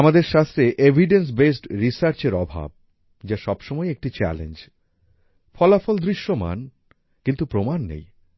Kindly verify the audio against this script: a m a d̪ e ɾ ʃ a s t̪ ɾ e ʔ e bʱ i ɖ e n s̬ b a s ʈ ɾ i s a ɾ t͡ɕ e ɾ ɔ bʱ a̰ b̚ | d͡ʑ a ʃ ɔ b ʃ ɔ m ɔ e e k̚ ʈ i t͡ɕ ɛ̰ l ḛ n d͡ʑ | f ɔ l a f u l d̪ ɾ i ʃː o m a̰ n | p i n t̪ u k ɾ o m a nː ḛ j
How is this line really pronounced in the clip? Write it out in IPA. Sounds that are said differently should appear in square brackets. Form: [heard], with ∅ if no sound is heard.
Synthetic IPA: a m a d̪ e ɾ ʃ a s t̪ ɾ e ʔ e bʱ i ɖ e n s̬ b [e] s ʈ ɾ i s a ɾ t͡ɕ e ɾ ɔ bʱ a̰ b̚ | d͡ʑ a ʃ ɔ b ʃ ɔ m ɔ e e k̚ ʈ i t͡ɕ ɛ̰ l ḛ n d͡ʑ | f ɔ l a f [ɔ] l d̪ ɾ i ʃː o m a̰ n | [k] i n t̪ u [p] ɾ o m a nː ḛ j